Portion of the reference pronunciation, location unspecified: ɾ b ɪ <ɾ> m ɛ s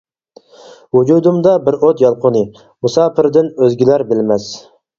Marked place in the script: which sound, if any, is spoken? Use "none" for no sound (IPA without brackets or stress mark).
l